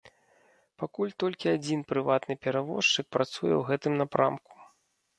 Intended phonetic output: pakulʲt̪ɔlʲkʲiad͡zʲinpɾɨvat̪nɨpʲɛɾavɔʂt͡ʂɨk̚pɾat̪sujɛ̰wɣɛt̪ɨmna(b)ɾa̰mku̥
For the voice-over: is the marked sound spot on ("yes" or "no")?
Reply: no